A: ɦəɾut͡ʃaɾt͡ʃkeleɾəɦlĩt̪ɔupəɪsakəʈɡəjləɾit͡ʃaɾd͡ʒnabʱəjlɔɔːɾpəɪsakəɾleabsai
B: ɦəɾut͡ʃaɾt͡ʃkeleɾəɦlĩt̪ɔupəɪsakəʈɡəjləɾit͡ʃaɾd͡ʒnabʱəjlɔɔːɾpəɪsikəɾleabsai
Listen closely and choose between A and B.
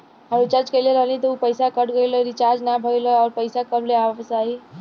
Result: A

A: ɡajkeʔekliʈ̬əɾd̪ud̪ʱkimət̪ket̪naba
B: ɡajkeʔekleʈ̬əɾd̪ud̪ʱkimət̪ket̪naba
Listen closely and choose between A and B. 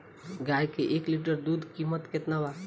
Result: A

